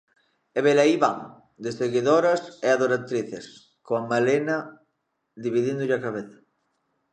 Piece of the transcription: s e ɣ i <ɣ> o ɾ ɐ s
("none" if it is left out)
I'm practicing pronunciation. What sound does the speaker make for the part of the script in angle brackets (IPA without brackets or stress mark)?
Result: ð